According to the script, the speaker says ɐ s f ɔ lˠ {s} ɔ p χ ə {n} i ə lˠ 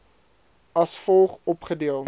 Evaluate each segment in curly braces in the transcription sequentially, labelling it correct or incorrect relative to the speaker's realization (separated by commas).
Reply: incorrect, incorrect